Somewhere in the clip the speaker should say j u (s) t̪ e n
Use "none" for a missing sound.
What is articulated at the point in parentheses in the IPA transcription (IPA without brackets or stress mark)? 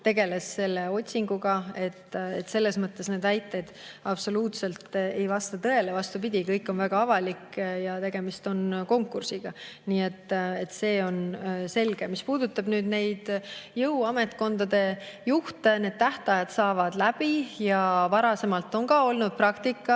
h